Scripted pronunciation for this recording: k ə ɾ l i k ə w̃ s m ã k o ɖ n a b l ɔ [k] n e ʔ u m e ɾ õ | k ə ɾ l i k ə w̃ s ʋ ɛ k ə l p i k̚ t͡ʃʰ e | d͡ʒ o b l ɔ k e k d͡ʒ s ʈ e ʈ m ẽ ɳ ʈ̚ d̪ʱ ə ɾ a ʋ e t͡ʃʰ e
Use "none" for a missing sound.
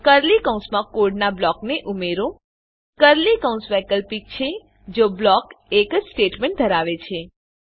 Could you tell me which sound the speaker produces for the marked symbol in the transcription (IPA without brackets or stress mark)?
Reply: k